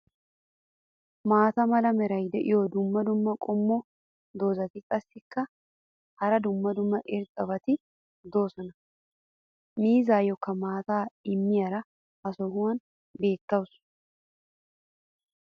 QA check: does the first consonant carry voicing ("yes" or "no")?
yes